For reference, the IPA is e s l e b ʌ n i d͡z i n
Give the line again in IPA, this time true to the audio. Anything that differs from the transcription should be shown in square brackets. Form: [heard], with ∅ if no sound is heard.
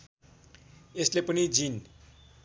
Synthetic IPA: e s l e [p] ʌ n i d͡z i n